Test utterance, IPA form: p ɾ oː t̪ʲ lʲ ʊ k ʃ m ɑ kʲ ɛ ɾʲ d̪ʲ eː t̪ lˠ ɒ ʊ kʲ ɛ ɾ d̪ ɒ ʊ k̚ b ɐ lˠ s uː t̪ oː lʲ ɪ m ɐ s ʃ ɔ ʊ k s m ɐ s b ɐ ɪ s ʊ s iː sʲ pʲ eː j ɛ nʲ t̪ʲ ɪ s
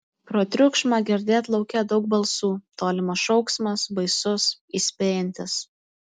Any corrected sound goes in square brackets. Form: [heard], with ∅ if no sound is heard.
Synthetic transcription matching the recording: p ɾ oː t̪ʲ [ɾʲ] ʊ k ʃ m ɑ [ɡʲ] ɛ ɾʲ d̪ʲ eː t̪ lˠ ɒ ʊ kʲ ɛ [∅] d̪ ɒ ʊ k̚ b ɐ lˠ s uː t̪ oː lʲ ɪ m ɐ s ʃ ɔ ʊ k s m ɐ s b ɐ ɪ s ʊ s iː sʲ pʲ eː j ɛ nʲ t̪ʲ ɪ s